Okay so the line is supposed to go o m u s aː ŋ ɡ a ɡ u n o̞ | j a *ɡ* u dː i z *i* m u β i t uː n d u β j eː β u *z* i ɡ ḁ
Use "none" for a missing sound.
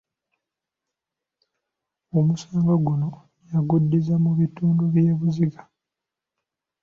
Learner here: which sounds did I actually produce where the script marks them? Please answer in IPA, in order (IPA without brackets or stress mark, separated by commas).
ɡ, a, z